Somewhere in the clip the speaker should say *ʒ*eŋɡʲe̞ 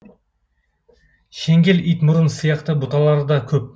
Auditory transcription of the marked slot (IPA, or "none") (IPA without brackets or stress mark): ʃ